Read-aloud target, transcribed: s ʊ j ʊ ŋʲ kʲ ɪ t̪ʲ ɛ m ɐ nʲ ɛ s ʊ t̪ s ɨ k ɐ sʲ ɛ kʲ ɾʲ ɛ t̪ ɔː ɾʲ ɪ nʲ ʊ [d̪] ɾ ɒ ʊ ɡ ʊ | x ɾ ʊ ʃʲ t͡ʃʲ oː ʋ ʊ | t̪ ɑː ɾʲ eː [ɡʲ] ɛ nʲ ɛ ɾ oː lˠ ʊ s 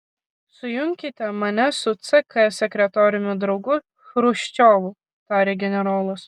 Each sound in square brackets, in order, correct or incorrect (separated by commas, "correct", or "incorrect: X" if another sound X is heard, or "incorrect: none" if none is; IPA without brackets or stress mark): correct, correct